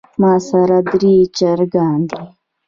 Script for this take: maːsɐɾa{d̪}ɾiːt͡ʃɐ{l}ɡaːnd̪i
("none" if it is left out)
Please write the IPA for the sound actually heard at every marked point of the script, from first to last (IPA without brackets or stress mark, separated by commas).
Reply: d̪, ɾ